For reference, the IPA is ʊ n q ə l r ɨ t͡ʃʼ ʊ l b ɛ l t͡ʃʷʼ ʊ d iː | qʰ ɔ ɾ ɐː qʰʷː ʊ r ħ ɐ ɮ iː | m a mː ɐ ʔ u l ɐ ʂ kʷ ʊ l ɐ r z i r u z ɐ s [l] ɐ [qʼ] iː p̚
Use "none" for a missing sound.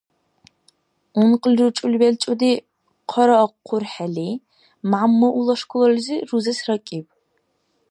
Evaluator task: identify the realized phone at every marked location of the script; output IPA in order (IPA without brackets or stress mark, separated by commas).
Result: r, kʼ